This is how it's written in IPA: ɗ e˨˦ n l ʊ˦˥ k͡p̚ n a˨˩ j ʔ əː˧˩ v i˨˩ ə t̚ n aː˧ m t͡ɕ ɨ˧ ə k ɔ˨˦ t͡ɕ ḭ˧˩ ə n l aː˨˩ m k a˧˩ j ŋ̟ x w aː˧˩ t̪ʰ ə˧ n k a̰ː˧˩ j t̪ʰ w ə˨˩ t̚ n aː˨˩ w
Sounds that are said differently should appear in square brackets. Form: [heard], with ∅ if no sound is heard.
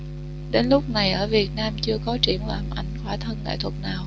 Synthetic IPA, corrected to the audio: ɗ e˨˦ n l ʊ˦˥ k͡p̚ n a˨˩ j ʔ əː˧˩ v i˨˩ ə t̚ n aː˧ m t͡ɕ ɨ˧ ə k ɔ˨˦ t͡ɕ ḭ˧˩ ə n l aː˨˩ m [ʔ] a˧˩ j ŋ̟ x w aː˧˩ t̪ʰ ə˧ n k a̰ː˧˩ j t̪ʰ w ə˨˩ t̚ n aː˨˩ w